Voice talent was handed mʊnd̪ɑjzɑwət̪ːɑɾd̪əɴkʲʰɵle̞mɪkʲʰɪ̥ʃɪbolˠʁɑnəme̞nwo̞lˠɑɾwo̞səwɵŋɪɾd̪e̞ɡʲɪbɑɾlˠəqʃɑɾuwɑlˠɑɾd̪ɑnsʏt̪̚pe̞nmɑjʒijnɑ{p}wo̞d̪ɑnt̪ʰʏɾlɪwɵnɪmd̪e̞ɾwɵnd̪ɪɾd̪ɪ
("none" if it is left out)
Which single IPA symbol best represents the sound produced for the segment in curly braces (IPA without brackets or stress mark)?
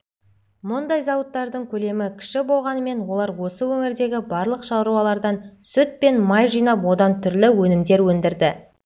p